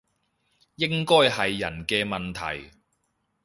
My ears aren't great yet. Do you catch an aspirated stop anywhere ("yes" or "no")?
yes